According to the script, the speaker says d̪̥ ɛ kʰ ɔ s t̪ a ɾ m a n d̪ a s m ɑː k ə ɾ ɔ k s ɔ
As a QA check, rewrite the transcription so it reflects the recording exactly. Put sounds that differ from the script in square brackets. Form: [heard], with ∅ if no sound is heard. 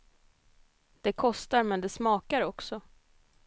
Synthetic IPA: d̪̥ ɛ kʰ ɔ s t̪ a ɾ m [ɛ] n d̪ [ɛ] s m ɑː k [a] ɾ ɔ k s ɔ

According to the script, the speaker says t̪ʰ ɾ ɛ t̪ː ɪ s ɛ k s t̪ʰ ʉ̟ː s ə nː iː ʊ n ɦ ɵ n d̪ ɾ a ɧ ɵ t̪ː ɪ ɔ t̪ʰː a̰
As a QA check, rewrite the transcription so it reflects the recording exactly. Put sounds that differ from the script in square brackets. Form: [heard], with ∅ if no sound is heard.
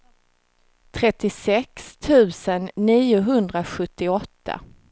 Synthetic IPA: t̪ʰ ɾ ɛ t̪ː ɪ s ɛ k s t̪ʰ ʉ̟ː s ə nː iː ʊ [∅] ɦ ɵ n d̪ ɾ a ɧ ɵ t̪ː ɪ ɔ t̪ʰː a̰

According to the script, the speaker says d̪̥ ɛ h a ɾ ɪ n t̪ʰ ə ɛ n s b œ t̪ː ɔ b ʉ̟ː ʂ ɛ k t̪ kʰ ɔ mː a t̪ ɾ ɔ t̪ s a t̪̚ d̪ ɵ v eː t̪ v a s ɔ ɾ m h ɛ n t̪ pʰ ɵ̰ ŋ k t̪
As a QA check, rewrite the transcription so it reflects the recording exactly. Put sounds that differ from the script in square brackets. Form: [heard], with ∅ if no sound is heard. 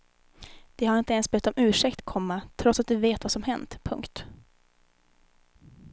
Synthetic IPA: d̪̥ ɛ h a ɾ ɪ n [t̪] ə ɛ n s b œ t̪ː ɔ [m] ʉ̟ː ʂ ɛ k t̪ kʰ ɔ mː a [t̪ʰ] ɾ ɔ t̪ s a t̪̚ d̪ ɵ v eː t̪ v a s ɔ [∅] m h ɛ n t̪ pʰ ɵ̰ ŋ k t̪

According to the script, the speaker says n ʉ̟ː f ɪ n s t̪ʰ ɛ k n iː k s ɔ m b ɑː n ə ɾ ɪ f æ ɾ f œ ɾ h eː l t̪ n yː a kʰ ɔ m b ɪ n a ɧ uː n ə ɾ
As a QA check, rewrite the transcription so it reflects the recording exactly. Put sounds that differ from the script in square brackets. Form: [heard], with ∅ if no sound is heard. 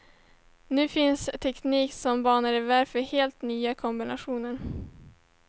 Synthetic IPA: n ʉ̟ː f ɪ n s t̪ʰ ɛ k n iː k s ɔ m b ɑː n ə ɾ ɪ [v] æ ɾ f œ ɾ h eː l t̪ n yː a kʰ ɔ m b ɪ n a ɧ uː n ə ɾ

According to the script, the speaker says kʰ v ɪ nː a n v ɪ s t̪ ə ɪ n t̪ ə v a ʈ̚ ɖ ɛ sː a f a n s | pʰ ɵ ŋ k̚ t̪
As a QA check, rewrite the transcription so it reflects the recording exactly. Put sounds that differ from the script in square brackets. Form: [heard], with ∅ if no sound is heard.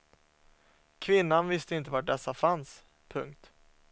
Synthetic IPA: kʰ v ɪ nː a n v ɪ s t̪ ə ɪ n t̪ ə v a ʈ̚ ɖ ɛ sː a f a n s | pʰ ɵ ŋ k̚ t̪

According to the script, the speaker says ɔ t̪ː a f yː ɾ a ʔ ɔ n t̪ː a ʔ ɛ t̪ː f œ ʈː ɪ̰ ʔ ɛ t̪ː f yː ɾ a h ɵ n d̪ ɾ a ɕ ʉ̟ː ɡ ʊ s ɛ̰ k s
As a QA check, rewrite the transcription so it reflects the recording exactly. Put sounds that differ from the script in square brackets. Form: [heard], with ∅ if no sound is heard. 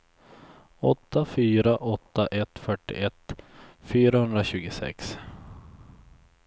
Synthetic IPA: ɔ t̪ː a f yː ɾ a ʔ ɔ [∅] t̪ː a ʔ ɛ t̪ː f œ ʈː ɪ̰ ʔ ɛ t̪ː f yː ɾ a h ɵ n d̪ ɾ a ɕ ʉ̟ː ɡ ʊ s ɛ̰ k s

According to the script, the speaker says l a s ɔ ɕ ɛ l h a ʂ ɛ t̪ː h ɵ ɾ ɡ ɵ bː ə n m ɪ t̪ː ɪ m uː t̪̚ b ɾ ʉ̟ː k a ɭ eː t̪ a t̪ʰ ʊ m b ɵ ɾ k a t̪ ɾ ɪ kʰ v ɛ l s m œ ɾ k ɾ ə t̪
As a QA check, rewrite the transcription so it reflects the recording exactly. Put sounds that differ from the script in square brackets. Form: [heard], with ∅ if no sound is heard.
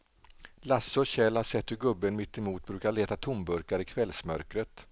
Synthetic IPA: l a s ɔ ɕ ɛ l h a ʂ ɛ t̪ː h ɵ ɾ ɡ ɵ bː ə n m ɪ t̪ː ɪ m uː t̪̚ b ɾ ʉ̟ː k a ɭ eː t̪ a t̪ʰ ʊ m b ɵ ɾ k a [∅] ɾ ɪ kʰ v ɛ l s m œ ɾ k ɾ ə t̪

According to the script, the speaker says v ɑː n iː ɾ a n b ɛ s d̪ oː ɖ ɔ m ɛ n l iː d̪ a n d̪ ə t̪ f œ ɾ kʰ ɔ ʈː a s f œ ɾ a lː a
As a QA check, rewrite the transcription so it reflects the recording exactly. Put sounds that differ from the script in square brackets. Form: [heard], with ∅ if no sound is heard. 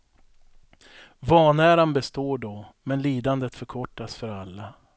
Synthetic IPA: v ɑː n [æː] ɾ a n b ɛ s [t̪] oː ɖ ɔ m ɛ n l iː d̪ a n d̪ ə t̪ f œ ɾ kʰ ɔ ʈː a s f œ ɾ a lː a

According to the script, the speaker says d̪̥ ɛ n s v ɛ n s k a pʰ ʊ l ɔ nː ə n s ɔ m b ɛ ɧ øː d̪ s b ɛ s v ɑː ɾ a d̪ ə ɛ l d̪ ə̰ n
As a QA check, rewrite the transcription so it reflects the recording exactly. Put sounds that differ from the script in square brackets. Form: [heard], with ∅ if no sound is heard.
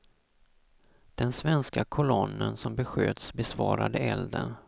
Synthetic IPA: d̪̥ ɛ n s v ɛ n s k a [kʰ] ʊ l ɔ nː ə n s ɔ m b ɛ ɧ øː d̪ s b ɛ s v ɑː ɾ a d̪ ə ɛ l d̪ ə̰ n

